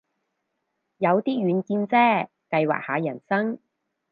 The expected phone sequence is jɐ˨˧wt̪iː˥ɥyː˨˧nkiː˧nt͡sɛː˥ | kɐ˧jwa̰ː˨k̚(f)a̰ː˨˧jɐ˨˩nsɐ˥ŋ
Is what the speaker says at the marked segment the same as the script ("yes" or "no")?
no